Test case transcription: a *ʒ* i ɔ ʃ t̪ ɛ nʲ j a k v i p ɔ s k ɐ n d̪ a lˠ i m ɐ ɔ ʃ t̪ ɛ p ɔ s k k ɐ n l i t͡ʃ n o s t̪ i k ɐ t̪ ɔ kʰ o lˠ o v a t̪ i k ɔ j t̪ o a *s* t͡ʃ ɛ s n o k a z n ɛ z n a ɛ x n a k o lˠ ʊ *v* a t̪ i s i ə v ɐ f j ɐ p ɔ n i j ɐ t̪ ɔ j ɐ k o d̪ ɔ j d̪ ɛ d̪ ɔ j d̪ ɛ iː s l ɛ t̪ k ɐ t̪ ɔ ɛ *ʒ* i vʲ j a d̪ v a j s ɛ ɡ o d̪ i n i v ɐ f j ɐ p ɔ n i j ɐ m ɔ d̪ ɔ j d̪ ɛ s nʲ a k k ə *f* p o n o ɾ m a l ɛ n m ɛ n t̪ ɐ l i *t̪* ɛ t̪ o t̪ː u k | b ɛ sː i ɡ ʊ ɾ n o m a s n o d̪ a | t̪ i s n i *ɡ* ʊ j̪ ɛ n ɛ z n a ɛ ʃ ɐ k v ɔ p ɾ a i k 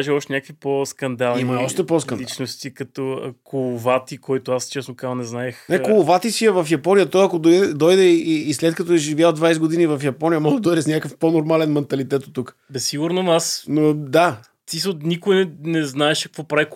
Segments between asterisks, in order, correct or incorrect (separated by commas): correct, correct, correct, correct, correct, correct, incorrect